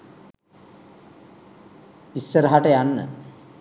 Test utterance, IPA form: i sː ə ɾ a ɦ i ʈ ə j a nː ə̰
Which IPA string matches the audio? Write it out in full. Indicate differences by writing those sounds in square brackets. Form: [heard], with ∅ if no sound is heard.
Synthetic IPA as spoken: i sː ə ɾ [ə] ɦ [a] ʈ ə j a nː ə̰